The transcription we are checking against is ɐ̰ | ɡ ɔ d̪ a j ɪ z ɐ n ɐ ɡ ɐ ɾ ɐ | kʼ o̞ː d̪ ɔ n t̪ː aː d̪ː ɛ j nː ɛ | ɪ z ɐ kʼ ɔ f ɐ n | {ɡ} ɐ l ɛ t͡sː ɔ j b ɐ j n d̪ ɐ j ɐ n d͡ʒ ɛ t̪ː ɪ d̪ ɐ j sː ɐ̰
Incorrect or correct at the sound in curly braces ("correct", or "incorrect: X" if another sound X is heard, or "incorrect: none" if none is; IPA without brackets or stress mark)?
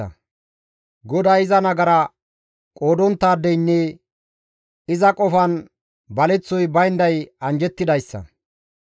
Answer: incorrect: b